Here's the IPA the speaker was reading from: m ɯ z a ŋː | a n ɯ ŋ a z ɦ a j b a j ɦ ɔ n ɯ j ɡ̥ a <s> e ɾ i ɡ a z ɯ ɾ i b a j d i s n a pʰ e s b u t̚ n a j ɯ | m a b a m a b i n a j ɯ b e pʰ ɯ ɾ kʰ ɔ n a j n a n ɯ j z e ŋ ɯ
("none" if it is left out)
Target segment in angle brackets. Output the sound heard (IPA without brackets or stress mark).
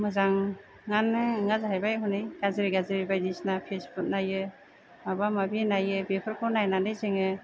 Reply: z